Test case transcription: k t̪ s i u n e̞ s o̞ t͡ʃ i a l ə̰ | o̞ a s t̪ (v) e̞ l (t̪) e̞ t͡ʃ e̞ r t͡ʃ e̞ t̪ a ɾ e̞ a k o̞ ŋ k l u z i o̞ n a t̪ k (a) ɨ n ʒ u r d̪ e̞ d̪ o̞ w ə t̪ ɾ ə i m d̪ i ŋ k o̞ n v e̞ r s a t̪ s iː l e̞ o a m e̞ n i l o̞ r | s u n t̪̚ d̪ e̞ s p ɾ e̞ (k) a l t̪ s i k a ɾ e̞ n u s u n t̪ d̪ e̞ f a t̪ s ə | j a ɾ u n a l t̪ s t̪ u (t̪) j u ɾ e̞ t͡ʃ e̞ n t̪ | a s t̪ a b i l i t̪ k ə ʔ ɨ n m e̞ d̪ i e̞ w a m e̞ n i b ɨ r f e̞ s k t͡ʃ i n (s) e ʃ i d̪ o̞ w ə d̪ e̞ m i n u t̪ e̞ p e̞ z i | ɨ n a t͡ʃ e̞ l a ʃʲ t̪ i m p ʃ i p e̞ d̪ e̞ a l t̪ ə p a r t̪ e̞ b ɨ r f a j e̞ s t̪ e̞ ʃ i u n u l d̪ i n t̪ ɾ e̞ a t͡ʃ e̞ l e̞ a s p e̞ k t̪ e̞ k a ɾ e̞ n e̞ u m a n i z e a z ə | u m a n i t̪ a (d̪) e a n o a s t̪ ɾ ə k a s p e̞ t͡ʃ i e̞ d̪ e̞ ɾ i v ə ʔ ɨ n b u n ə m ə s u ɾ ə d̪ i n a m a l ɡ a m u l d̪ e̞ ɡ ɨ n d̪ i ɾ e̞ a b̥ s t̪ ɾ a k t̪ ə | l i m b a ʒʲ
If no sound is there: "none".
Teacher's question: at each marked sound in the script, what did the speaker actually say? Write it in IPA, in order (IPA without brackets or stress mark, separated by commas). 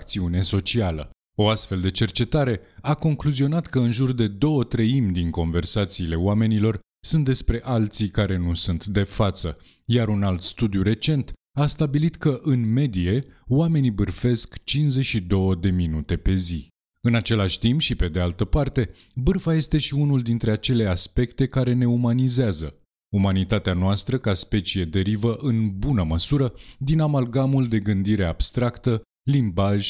f, d̪, ə, ʔ, d̪, z, t̪